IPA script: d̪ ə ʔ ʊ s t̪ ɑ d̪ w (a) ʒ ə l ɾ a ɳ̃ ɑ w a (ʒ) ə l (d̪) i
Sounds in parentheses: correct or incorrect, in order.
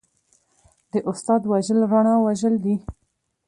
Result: correct, correct, correct

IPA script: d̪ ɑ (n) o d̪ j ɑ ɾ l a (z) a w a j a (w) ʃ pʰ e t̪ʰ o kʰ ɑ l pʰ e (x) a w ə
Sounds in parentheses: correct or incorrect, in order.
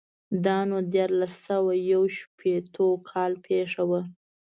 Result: correct, incorrect, correct, incorrect

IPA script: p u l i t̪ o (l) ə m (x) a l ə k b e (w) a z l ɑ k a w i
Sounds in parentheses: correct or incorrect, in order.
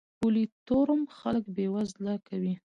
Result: incorrect, correct, correct

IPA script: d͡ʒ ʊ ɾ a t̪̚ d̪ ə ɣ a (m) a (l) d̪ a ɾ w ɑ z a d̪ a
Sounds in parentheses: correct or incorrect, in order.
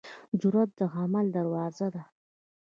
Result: correct, correct

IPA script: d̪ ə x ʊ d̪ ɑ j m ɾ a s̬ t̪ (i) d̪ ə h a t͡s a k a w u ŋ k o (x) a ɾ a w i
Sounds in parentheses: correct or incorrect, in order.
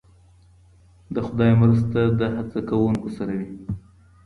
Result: incorrect, incorrect

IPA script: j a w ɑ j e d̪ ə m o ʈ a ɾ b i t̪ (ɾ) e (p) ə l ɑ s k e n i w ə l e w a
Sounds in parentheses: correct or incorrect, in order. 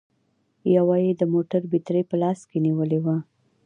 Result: correct, correct

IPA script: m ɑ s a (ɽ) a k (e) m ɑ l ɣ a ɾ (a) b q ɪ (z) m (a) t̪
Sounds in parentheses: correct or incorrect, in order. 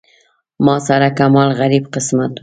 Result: incorrect, incorrect, incorrect, incorrect, correct

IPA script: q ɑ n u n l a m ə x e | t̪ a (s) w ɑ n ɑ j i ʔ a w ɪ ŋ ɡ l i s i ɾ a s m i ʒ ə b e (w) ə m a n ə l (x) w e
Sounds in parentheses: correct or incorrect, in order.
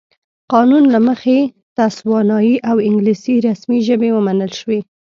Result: correct, correct, incorrect

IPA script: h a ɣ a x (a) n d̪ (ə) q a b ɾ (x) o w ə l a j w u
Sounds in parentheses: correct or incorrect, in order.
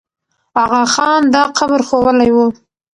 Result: incorrect, incorrect, correct

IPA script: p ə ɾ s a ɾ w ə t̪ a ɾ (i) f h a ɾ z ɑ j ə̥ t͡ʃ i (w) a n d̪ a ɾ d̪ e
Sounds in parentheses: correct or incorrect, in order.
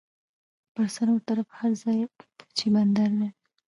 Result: incorrect, incorrect

